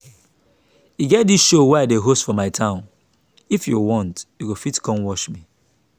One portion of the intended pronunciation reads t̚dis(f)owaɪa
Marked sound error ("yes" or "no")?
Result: yes